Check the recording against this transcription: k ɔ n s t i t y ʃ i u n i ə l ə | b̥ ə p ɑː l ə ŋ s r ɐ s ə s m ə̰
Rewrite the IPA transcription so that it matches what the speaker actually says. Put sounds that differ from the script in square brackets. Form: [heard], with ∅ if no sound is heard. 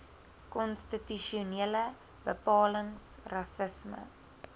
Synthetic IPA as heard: k ɔ n s t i t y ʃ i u n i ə l ə | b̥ ə p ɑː l ə ŋ s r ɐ s ə s m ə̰